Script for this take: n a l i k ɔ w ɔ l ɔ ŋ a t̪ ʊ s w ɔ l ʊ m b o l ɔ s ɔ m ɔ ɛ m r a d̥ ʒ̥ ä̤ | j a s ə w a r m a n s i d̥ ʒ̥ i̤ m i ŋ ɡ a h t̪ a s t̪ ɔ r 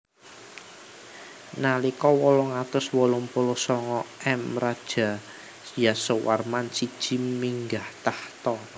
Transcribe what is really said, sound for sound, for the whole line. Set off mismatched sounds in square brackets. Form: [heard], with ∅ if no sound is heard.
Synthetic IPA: n a l i k ɔ w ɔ l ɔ ŋ a t̪ ʊ s w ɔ l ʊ m [p] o l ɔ s ɔ [ŋ] ɔ ɛ m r a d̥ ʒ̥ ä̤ | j a s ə w a r m a n s i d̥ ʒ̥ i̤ m i ŋ ɡ a h t̪ a [h] t̪ ɔ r